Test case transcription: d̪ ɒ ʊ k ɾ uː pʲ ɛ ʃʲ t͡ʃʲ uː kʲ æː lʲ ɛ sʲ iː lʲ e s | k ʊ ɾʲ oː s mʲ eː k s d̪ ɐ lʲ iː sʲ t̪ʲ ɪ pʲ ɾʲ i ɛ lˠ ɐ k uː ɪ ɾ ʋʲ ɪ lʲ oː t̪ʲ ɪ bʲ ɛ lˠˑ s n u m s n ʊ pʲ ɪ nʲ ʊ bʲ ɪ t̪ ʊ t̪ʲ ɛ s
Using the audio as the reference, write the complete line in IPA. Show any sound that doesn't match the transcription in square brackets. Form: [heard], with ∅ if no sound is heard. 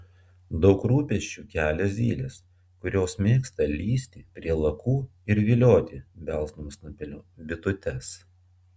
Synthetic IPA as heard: d̪ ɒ ʊ k ɾ uː pʲ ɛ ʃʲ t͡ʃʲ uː kʲ æː lʲ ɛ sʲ iː lʲ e s | k ʊ ɾʲ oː s mʲ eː k s [t̪] ɐ lʲ iː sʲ t̪ʲ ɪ pʲ ɾʲ i ɛ lˠ ɐ k uː ɪ ɾ ʋʲ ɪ lʲ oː t̪ʲ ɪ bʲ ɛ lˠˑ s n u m s n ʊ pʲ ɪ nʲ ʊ bʲ ɪ t̪ ʊ t̪ʲ ɛ s